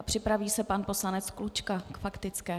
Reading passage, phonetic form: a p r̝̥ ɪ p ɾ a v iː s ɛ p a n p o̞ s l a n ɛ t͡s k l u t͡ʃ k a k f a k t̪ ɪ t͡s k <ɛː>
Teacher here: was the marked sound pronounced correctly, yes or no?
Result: yes